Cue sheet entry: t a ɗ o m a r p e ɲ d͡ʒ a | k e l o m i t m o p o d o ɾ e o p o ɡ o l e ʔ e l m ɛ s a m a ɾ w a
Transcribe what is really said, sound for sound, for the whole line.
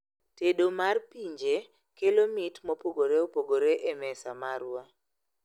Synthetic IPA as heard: t e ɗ o m a r p i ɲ d͡ʒ e | k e l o m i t m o p o ɡ o ɾ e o p o ɡ o ɾ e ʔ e m ɛ s a m a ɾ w a